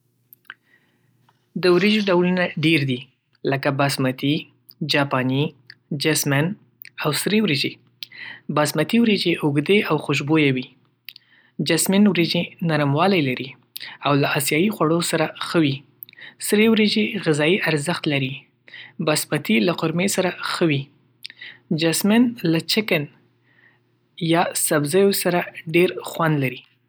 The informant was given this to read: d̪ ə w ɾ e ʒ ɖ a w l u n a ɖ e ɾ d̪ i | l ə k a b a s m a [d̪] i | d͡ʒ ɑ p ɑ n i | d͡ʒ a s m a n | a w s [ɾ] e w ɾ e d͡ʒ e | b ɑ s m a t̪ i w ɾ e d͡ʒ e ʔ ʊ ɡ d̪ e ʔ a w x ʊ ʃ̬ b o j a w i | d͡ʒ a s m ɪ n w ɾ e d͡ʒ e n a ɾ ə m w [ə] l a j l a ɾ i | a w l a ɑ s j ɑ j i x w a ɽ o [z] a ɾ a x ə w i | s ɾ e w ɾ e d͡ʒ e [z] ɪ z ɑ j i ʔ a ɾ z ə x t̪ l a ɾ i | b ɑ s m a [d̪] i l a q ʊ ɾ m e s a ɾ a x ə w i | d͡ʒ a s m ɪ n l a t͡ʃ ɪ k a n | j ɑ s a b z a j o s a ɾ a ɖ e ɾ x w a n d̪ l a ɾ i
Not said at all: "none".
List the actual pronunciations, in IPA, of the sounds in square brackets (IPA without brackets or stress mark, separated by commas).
t̪, ɾ, ɑ, s, ɣ, t̪